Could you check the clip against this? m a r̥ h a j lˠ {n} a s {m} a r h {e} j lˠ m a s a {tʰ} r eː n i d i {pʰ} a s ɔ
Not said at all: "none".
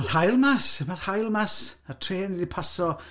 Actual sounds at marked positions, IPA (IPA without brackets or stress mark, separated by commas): m, m, a, tʰ, pʰ